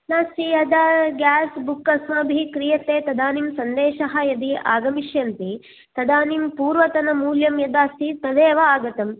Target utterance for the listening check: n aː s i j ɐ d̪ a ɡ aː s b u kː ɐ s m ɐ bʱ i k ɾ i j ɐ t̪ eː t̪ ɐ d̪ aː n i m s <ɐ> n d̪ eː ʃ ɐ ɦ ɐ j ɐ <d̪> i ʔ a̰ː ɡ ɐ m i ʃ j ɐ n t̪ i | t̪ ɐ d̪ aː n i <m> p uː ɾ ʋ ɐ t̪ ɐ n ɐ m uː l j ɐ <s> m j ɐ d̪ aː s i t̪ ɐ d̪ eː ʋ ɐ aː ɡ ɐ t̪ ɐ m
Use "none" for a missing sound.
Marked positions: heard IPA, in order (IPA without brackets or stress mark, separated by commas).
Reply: ɐ, d̪, m, none